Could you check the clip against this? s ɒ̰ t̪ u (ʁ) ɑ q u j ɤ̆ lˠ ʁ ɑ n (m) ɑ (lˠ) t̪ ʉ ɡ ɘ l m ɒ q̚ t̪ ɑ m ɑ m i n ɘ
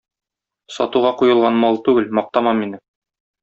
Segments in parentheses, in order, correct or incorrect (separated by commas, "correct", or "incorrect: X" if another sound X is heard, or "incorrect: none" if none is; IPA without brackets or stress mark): correct, correct, correct